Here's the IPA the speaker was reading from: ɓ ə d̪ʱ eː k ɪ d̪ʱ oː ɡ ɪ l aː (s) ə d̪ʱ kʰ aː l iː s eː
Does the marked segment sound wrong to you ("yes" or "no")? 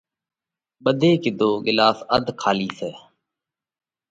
no